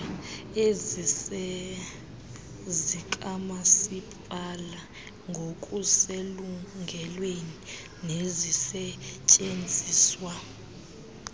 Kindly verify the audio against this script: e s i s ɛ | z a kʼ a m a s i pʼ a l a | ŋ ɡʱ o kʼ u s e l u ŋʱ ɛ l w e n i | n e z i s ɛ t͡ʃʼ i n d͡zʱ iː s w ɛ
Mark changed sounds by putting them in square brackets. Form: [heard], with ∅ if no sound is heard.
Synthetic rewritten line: e [z] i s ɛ | z [i] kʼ a m a s i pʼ a l a | ŋ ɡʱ o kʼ u s e l u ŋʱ ɛ l w e n i | n e z i s ɛ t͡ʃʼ [e] n d͡zʱ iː s w [a]

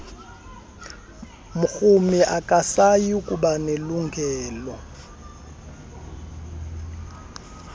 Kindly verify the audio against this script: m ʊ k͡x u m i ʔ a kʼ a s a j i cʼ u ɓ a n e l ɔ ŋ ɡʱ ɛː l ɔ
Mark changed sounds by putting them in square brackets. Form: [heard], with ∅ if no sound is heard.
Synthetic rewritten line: m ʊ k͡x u m i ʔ a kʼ a s a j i [kʼ] u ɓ a n e l [u] ŋ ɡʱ ɛː l ɔ

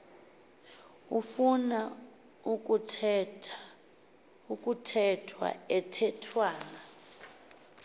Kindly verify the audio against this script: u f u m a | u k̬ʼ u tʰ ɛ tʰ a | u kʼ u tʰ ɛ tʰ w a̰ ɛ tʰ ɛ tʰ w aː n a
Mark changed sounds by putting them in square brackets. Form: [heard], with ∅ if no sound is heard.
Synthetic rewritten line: u f u [n] a | u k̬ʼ u tʰ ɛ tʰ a | u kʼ u tʰ ɛ tʰ w a̰ ɛ tʰ ɛ tʰ w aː n a

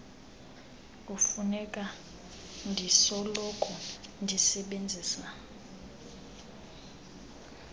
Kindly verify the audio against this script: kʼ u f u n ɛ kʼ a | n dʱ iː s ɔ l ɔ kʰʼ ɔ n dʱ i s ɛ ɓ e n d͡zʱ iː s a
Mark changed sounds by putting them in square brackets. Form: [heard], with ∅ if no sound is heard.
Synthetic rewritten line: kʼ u f u n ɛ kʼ a | n dʱ [i] s ɔ l ɔ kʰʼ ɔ n dʱ i s ɛ ɓ e n d͡zʱ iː s a

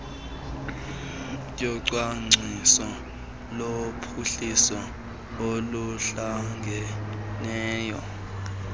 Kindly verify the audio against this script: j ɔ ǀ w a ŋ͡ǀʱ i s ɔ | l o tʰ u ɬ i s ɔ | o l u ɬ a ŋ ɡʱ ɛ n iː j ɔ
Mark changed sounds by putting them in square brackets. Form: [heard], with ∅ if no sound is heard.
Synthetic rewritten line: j ɔ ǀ w a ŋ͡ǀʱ i s ɔ | l o [pʰ] u ɬ i s ɔ | o l u ɬ a ŋ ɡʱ ɛ n [ɛː] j ɔ

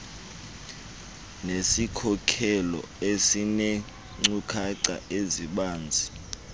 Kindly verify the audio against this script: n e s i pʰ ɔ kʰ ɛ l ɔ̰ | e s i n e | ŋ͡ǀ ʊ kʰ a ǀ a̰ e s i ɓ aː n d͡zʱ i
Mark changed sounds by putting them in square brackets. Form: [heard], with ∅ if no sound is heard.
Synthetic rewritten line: n e s i [kʰ] ɔ kʰ ɛ l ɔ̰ | e s i n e | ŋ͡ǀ [u] kʰ a ǀ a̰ e [z] i ɓ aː n d͡zʱ i

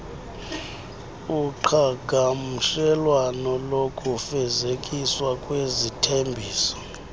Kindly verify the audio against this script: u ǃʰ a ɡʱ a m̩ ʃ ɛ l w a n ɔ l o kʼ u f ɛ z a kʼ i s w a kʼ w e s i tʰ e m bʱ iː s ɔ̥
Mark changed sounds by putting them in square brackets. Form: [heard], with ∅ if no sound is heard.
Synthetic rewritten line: u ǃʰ a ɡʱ a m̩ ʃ ɛ l w a n ɔ l o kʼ u f ɛ z [e] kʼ i s w a kʼ w e [z] i tʰ e m bʱ iː s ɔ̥

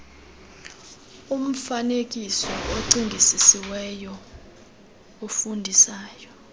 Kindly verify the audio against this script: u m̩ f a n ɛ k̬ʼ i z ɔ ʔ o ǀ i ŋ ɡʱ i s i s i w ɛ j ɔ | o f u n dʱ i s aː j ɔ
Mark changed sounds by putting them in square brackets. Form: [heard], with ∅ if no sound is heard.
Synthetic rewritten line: u m̩ f a n [e] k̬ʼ i [s] ɔ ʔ o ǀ i ŋ ɡʱ i s i s i w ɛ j ɔ | o f u n dʱ i s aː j ɔ

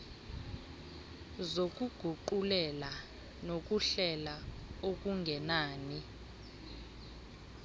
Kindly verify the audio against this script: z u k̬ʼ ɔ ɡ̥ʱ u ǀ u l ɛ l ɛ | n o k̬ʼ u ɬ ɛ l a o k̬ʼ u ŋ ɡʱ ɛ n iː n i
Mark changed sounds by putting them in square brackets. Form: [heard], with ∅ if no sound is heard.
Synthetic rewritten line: z [o] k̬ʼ [u] ɡ̥ʱ u [ǃ] u l ɛ l [a] | n o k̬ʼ u ɬ ɛ l a o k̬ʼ u ŋ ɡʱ ɛ n [aː] n i

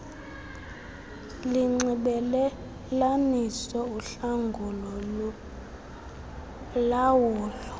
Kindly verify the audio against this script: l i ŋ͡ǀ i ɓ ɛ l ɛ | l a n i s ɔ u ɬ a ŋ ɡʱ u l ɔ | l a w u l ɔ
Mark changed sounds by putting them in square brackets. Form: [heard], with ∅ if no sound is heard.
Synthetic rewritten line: l i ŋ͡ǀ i ɓ ɛ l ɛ | l a n i s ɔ u ɬ a ŋ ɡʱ u l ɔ | l a w [uː] l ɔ

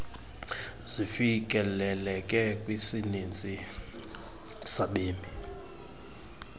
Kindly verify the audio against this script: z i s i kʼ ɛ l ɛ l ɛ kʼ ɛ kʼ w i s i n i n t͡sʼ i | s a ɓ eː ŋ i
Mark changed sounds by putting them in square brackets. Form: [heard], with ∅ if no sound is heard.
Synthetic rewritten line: z i [f] i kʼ ɛ l ɛ l ɛ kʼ ɛ kʼ w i s i n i n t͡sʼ i | s a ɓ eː [m] i

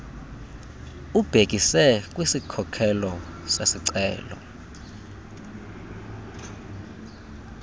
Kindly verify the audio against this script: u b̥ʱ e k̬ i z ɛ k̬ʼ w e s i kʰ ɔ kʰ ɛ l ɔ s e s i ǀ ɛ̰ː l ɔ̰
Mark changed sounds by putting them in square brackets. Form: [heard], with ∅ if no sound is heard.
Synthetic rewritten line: u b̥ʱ e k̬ i [s] ɛ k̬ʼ w [i] s i kʰ ɔ kʰ ɛ l ɔ s e s i ǀ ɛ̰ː l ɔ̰

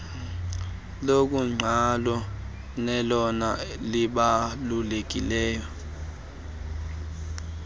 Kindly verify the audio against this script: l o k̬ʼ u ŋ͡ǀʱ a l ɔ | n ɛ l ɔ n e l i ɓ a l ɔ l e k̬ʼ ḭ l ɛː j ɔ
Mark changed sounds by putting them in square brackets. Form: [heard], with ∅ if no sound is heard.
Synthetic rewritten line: l o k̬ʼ u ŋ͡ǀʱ a l ɔ | n ɛ l ɔ n [a] l i ɓ a l [u] l e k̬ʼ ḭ l ɛː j ɔ

